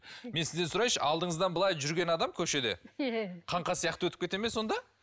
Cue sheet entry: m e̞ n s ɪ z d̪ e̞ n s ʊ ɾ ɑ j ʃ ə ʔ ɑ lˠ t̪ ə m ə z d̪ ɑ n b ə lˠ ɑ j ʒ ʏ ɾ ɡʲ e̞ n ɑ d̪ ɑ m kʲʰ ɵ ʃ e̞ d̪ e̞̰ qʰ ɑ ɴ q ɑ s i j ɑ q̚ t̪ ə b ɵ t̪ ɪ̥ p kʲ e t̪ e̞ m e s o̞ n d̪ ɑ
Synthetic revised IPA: m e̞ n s ɪ z d̪ e̞ n s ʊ ɾ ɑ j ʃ ə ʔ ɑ lˠ d̪ ə ɴ ə z d̪ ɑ n b ə lˠ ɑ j ʒ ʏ ɾ ɡʲ e̞ n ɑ d̪ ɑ m kʲʰ ɵ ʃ e̞ d̪ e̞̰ qʰ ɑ ɴ q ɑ s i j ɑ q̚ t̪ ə w ɵ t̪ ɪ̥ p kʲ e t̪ e̞ m e s o̞ n d̪ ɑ